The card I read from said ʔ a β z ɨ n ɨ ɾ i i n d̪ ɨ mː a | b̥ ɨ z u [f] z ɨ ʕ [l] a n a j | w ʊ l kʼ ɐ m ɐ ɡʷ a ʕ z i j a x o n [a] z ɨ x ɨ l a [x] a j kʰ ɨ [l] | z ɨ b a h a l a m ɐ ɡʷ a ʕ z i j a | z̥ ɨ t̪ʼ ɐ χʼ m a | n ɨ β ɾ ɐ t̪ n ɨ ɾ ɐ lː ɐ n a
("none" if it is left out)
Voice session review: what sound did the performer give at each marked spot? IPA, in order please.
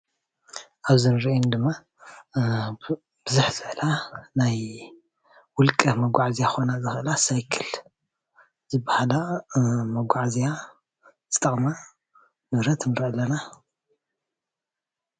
ħ, l, a, s, l

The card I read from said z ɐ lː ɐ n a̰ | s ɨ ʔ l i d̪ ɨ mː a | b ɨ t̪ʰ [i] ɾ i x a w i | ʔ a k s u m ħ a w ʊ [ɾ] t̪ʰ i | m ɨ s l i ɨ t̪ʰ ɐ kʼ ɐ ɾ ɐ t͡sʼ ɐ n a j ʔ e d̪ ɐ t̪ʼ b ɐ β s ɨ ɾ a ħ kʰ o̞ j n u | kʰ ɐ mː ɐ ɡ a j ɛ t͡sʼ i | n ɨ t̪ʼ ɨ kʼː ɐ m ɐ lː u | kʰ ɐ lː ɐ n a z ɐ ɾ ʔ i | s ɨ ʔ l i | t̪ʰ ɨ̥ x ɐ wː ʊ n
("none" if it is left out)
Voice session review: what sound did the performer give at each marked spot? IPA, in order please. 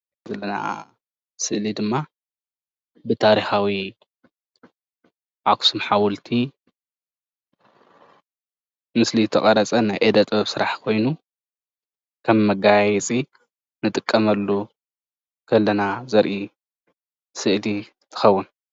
a, l

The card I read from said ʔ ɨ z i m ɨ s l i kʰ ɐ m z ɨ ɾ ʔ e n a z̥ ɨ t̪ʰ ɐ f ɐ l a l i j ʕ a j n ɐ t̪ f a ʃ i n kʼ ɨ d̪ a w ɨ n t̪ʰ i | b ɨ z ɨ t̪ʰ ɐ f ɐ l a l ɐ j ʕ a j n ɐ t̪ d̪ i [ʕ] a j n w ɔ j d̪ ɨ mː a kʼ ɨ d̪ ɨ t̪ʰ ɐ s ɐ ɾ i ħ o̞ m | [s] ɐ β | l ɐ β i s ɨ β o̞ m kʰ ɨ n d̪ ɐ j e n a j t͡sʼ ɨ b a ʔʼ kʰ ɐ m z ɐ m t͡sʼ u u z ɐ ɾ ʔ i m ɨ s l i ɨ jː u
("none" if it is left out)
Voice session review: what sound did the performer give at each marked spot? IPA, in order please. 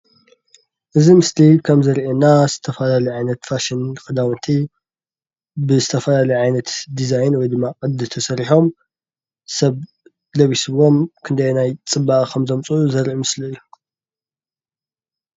z, s

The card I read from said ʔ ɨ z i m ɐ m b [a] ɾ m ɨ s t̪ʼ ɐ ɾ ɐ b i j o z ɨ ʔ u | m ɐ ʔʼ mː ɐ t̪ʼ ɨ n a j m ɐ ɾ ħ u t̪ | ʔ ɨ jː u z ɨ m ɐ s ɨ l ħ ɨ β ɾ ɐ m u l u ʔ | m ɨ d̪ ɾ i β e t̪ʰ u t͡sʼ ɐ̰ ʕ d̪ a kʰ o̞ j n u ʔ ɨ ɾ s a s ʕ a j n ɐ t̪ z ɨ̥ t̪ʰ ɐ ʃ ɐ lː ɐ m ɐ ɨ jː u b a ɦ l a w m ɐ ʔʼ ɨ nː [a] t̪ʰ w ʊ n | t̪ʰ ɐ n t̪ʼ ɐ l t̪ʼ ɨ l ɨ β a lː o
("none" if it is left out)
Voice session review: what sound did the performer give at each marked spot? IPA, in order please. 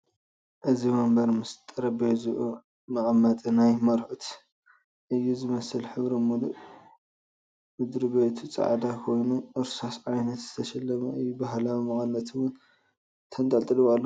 ɐ, ɐ

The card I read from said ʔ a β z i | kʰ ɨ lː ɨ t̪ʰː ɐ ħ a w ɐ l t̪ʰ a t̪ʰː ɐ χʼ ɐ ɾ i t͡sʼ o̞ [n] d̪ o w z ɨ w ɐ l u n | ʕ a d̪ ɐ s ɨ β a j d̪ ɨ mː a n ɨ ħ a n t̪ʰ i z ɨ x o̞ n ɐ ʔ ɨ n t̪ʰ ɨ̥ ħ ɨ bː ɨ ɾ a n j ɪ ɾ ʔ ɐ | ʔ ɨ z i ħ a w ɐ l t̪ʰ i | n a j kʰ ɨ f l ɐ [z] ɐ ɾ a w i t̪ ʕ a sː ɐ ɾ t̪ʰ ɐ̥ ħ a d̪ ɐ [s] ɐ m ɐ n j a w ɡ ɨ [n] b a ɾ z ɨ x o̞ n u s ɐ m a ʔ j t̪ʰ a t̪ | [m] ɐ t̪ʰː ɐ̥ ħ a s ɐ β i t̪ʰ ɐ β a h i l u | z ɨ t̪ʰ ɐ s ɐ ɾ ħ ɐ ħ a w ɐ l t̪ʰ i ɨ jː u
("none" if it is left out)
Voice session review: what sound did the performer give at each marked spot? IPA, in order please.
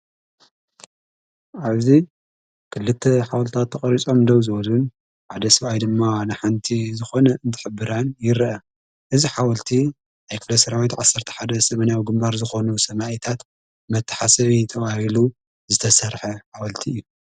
m, s, s, m, m

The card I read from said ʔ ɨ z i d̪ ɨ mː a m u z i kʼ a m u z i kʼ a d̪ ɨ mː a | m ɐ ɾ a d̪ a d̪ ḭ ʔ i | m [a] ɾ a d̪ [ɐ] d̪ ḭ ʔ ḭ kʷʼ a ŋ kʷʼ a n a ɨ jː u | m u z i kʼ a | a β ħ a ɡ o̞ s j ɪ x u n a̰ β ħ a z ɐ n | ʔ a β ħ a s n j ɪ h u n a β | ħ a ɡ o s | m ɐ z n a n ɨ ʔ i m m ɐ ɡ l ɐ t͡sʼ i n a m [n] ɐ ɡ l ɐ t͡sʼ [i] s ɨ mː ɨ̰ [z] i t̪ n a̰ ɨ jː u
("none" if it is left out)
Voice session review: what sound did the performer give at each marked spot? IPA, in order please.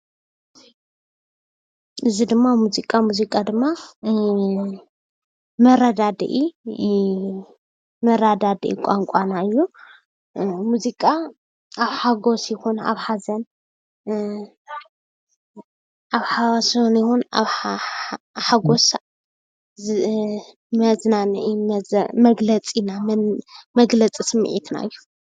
ɐ, a, m, i, ʕ

